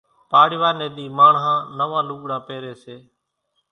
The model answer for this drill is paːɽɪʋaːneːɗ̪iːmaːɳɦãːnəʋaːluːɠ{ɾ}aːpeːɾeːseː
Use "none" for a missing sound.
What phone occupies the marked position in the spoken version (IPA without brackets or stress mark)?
ɽ